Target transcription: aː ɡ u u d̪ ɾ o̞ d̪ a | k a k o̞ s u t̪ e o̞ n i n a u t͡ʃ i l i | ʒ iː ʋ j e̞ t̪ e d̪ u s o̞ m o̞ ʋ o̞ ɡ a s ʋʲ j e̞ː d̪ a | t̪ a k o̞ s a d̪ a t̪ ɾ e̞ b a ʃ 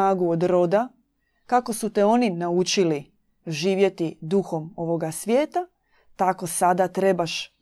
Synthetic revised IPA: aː ɡ u o d̪ ɾ o̞ d̪ a | k a k o̞ s u t̪ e o̞ n i n a u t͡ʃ i l i | ʒ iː ʋ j e̞ t̪ i d̪ u x o̞ m o̞ ʋ o̞ ɡ a s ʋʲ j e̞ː t̪ a | t̪ a k o̞ s a d̪ a t̪ ɾ e̞ b a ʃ